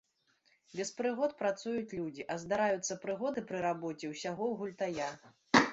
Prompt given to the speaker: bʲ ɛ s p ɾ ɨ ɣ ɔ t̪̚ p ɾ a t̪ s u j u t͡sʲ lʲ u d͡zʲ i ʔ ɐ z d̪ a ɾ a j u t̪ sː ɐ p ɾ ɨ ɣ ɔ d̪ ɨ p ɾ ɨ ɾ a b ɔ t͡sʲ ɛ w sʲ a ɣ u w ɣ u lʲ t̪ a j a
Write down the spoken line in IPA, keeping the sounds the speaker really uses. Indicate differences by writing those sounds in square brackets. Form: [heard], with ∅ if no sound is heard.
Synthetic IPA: bʲ ɛ s p ɾ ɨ ɣ ɔ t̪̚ p ɾ a t̪ s u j u t͡sʲ lʲ u d͡zʲ i ʔ ɐ z d̪ a ɾ a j u t̪ sː ɐ p ɾ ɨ ɣ ɔ d̪ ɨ p ɾ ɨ ɾ a b ɔ t͡sʲ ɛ w sʲ a ɣ [ɔ] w ɣ u lʲ t̪ a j a